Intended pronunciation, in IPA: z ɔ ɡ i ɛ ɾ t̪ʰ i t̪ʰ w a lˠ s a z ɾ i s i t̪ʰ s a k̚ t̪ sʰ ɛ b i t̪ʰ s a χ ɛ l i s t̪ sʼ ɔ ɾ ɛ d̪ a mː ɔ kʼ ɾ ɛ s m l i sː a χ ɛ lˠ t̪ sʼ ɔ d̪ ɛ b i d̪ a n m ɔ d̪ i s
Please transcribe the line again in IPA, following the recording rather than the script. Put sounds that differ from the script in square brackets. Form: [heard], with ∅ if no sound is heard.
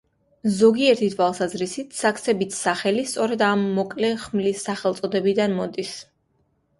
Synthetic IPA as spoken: z ɔ ɡ i ɛ ɾ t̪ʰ i t̪ʰ w a lˠ s a z ɾ i s i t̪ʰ s a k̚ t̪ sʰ ɛ b i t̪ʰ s a χ ɛ l i s t̪ sʼ ɔ ɾ ɛ d̪ a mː ɔ kʼ [l] ɛ [χ] m l i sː a χ ɛ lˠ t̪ sʼ ɔ d̪ ɛ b i d̪ a n m ɔ d̪ i s